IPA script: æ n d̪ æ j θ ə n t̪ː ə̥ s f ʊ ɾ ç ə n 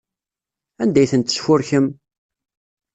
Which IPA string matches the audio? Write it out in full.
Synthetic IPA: æ n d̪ æ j θ ə n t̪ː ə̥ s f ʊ ɾ ç ə m

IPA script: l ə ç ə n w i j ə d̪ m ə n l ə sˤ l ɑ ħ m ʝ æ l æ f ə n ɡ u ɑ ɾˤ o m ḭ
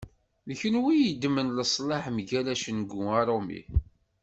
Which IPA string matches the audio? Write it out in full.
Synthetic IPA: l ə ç ə n w i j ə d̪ m ə n l ə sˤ l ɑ ħ m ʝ æ l æ ʃ ə n ɡ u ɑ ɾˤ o m ḭ

